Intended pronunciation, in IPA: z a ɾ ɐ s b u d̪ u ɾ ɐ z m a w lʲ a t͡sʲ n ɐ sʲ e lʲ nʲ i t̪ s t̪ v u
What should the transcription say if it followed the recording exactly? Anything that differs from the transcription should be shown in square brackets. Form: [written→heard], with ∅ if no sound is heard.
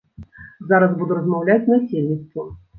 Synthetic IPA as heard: z a ɾ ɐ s b u d̪ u ɾ ɐ z m a w lʲ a t͡sʲ n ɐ sʲ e lʲ nʲ i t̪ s t̪ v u